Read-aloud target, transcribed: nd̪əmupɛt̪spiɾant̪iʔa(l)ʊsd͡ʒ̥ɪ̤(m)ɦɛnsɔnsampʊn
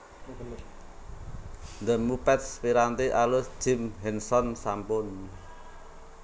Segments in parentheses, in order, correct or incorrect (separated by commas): correct, correct